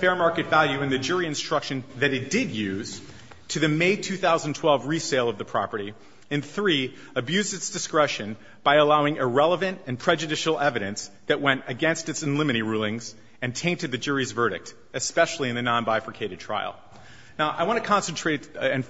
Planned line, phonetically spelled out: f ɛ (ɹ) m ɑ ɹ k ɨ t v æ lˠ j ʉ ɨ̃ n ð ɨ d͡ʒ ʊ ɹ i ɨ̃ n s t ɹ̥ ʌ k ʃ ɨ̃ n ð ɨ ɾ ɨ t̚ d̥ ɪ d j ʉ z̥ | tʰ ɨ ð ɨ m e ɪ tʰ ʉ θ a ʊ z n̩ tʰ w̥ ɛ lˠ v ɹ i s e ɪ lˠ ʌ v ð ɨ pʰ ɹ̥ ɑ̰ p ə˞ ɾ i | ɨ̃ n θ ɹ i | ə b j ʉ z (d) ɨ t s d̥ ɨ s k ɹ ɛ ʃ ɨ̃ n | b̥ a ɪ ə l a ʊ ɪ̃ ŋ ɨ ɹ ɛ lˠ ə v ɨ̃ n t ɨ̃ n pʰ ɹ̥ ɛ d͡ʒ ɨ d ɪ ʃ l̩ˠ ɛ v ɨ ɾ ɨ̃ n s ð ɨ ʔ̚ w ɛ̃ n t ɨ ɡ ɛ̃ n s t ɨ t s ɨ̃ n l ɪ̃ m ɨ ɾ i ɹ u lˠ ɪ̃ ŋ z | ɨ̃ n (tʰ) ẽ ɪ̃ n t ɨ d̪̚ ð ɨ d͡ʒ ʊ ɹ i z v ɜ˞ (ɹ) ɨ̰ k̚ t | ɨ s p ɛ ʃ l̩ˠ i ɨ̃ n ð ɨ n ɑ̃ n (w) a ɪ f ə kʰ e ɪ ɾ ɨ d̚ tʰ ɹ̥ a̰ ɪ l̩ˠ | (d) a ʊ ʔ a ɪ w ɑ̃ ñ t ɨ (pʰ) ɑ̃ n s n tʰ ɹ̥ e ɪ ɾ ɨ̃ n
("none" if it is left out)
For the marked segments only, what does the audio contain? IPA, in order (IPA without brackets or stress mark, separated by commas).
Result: ɹ, d, tʰ, ɾ, b, n, kʰ